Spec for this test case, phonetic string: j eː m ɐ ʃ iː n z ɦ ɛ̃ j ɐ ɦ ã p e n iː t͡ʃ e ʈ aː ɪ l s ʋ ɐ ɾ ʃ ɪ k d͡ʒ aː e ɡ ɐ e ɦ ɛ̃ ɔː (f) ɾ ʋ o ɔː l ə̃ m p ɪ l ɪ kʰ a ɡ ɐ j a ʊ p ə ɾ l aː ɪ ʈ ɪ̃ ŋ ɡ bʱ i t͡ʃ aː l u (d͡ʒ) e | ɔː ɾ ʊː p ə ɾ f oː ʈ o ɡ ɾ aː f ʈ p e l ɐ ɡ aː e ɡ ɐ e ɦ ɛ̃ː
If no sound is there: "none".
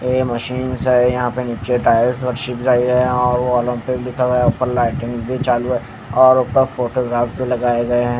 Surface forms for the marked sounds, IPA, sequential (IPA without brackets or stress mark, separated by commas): none, none